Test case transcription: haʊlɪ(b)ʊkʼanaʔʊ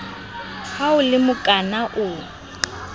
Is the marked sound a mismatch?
yes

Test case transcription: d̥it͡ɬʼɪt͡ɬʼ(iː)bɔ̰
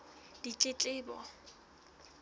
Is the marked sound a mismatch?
yes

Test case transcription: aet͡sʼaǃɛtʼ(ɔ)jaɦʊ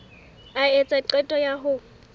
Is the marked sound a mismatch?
no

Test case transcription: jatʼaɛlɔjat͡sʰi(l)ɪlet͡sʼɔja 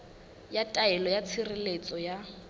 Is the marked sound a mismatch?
yes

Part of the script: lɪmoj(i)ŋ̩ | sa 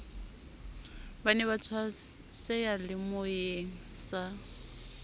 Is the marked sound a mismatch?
yes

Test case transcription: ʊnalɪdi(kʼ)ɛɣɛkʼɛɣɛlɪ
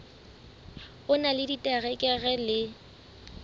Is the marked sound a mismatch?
yes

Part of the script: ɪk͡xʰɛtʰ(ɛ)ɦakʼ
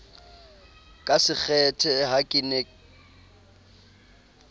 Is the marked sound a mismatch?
no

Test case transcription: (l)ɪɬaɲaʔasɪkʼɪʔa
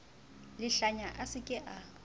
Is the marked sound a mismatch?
no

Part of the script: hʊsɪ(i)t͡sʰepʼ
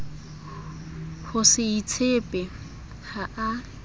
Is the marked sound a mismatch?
no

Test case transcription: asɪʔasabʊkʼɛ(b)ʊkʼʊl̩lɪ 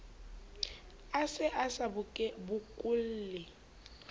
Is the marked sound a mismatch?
no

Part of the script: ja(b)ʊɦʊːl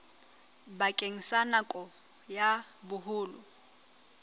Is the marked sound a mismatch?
no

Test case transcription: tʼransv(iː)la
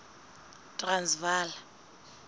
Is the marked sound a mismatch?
yes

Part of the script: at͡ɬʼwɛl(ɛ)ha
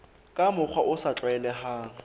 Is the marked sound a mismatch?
no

